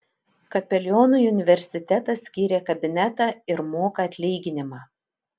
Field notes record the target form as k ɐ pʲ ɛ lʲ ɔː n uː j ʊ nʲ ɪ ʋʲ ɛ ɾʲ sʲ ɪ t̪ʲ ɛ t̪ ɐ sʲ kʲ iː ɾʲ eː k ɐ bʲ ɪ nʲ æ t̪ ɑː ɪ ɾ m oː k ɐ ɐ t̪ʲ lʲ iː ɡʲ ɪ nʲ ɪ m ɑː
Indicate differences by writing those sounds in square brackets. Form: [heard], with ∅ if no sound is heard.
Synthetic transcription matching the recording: k ɐ pʲ ɛ lʲ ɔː n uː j ʊ nʲ ɪ ʋʲ ɛ ɾʲ sʲ ɪ t̪ʲ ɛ t̪ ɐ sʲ kʲ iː ɾʲ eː k ɐ bʲ ɪ nʲ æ t̪ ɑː ɪ ɾ m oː k ɐ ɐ t̪ʲ lʲ iː ɡʲ ɪ nʲ ɪ m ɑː